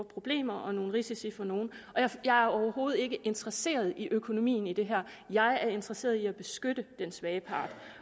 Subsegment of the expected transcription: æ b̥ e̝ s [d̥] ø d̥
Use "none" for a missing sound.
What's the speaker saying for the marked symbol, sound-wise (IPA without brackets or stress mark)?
ɡ̥